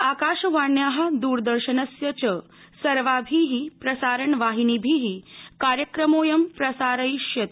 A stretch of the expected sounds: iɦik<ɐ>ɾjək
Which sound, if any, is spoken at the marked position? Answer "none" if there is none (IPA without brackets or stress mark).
a